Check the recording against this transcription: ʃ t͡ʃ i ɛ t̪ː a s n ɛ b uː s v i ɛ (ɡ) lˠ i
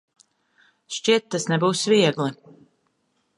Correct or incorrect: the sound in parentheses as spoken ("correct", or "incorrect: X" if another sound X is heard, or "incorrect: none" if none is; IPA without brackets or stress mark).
correct